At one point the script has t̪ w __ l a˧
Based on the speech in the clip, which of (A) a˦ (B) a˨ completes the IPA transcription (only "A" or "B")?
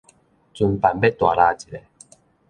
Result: B